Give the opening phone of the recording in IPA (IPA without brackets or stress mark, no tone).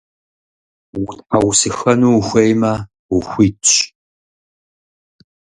w